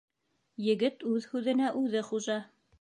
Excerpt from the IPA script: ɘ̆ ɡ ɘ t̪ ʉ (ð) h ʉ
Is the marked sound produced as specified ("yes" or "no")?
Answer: yes